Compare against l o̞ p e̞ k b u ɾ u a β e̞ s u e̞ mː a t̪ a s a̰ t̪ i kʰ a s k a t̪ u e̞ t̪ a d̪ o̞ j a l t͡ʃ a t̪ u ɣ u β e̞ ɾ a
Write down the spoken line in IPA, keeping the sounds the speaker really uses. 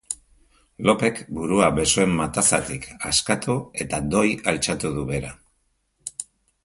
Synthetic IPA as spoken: l o̞ p e̞ k b u ɾ u a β e̞ s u e̞ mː a t̪ a s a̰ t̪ i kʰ a s k a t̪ u e̞ t̪ a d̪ o̞ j a l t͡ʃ a t̪ u ð u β e̞ ɾ a